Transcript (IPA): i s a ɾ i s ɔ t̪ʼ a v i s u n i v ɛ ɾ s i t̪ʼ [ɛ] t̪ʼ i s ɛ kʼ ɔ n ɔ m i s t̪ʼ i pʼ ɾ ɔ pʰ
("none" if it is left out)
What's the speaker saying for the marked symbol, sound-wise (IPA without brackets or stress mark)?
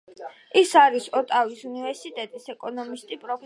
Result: ɛ